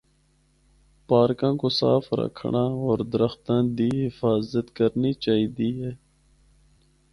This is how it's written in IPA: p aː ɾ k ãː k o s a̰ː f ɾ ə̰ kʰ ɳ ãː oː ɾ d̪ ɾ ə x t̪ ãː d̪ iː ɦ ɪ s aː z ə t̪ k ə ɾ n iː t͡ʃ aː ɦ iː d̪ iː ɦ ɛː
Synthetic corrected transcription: p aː ɾ k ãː k o s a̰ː f ɾ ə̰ kʰ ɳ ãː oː ɾ d̪ ɾ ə x t̪ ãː d̪ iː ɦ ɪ f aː z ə t̪ k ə ɾ n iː t͡ʃ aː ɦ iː d̪ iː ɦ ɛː